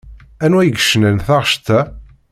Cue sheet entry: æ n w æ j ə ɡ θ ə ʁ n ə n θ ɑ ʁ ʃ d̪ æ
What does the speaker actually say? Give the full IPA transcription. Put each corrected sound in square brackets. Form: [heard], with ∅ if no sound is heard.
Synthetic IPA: æ n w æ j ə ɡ [ʃ] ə [∅] n ə n θ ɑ ʁ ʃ [t̪] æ

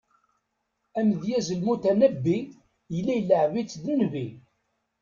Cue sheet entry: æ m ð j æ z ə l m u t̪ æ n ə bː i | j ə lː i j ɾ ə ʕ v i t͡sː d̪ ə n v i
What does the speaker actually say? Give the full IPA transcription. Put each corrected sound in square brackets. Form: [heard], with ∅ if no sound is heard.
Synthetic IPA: æ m ð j æ z ə l m u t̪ æ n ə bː i | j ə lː [æ] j [l] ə ʕ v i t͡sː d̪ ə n v i

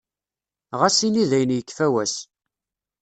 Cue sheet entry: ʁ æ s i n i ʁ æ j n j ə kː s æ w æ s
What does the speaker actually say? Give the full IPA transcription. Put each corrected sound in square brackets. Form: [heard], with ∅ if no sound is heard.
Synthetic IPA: ʁ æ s i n i [ð] æ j n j ə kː [f] æ w æ s

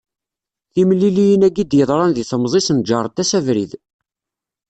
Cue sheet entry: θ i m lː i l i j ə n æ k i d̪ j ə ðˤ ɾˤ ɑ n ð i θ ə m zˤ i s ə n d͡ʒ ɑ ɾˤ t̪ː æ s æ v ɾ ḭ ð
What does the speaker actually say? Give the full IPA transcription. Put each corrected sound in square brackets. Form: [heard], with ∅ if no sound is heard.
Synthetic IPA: θ i m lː i l i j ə n æ [ɡ] i d̪ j ə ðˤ ɾˤ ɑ n ð i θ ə m zˤ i s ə n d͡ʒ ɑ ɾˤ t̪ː æ s æ v ɾ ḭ ð

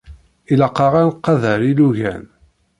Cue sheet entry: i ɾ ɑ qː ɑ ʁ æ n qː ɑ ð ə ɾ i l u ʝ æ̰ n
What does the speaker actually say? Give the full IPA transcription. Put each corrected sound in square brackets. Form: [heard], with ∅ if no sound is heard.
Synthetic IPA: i [l] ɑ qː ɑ ʁ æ n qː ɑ ð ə ɾ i l u ʝ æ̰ n

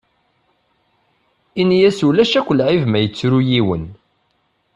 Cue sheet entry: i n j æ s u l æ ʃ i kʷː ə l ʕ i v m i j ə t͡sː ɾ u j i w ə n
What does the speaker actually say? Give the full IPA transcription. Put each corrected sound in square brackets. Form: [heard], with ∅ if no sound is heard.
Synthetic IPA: i n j æ s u l æ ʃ [æ] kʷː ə l ʕ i v m [æ] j ə t͡sː ɾ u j i w ə n

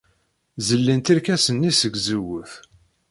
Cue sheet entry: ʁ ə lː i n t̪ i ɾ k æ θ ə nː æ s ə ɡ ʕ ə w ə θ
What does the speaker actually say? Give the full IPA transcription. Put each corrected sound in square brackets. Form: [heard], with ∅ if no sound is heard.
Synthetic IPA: [z] ə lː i n t̪ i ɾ k æ [s] ə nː [i] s ə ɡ [z] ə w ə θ

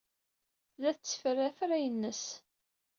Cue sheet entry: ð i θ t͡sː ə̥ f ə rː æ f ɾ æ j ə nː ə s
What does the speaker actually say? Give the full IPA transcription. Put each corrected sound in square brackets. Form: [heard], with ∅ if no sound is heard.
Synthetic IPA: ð [æ] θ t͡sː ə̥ f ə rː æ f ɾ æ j ə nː ə s

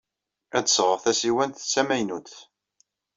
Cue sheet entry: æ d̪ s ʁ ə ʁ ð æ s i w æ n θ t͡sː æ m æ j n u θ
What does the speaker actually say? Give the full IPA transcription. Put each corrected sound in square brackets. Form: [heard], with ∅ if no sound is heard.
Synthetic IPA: æ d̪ s ʁ ə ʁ [θ] æ s i w æ n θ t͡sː æ m æ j n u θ

